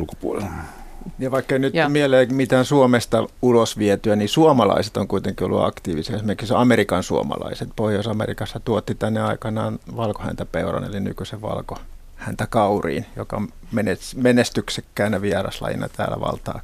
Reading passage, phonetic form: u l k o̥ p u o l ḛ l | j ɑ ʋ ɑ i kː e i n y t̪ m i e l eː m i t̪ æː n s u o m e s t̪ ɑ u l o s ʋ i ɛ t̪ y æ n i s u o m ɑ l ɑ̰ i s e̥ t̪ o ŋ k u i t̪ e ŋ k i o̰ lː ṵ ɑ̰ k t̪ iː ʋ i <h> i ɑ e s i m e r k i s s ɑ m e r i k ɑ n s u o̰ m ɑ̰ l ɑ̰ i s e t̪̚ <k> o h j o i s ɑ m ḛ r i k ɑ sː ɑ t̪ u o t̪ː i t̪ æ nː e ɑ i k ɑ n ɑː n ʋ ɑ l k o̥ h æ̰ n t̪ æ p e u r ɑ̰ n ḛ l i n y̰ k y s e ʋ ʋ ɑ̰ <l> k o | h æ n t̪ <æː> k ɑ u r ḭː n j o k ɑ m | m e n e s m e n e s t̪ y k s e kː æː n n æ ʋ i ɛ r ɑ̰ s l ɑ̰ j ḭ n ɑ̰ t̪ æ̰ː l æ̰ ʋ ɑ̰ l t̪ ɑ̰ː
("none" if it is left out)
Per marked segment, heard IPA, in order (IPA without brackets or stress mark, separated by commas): s, p, l, æ